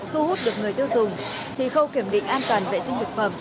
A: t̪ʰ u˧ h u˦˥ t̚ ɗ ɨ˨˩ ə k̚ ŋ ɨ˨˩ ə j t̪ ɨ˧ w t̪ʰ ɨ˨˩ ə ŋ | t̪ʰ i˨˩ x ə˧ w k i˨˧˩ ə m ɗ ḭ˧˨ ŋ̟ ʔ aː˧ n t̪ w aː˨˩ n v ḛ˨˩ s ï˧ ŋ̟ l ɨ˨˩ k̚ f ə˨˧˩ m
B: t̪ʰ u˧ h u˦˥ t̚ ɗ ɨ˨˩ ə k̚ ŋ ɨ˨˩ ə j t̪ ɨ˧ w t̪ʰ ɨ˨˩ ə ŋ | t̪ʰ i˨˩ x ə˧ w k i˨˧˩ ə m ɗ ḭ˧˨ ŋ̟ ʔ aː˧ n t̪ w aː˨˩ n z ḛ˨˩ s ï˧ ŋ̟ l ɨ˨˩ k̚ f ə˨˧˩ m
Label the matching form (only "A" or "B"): A